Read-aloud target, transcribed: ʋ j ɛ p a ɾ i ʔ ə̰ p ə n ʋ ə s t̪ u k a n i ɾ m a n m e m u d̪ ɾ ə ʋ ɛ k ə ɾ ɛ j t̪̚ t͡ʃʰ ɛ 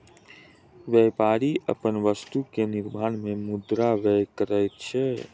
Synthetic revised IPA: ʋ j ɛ p a ɾ i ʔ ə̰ p ə n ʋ ə s t̪ u k e n i ɾ m a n m e m u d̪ ɾ a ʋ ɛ k ə ɾ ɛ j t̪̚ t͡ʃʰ ɛ